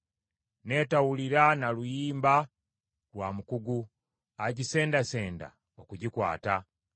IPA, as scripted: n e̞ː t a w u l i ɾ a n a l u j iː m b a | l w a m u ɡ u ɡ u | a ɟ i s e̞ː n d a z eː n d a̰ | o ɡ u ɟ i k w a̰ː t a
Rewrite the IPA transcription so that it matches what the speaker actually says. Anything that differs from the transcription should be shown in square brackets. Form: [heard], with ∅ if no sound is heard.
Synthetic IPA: n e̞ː t a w u l i ɾ a n a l u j iː m b a | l w a m u [k] u ɡ u | a ɟ i s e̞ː n d a [s] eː n d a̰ | o [k] u ɟ i k w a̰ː t a